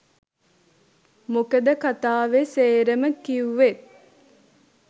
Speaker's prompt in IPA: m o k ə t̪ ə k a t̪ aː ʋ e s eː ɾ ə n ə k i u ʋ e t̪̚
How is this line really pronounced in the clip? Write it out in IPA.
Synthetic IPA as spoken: m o k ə d̪ ə k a t̪ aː ʋ e s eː ɾ ə m ə k i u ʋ e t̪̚